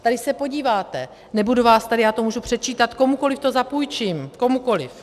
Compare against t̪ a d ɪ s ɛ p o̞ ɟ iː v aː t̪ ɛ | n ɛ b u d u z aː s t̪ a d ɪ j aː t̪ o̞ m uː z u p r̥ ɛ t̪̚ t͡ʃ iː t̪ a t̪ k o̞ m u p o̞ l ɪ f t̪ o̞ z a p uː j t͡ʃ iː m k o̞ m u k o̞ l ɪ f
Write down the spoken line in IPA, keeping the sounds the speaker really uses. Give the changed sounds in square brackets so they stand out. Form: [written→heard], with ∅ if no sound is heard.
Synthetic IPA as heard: t̪ a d ɪ s ɛ p o̞ ɟ iː v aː t̪ ɛ | n ɛ b u d u [z→v] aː s t̪ a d ɪ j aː t̪ o̞ m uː [z→ʒ] u p r̥ ɛ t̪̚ t͡ʃ iː t̪ a t̪ k o̞ m u [p→k] o̞ l ɪ f t̪ o̞ z a p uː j t͡ʃ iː m k o̞ m u k o̞ l ɪ f